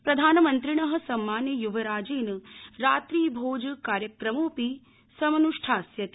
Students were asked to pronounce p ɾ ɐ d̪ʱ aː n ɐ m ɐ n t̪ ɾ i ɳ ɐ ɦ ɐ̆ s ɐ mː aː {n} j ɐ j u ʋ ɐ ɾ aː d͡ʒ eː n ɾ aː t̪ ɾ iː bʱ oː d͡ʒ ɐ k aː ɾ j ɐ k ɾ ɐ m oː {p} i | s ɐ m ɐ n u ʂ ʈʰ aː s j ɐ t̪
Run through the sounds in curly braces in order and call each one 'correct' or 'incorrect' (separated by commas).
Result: correct, correct